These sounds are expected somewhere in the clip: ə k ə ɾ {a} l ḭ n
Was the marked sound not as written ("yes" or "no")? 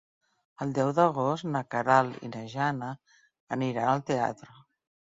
no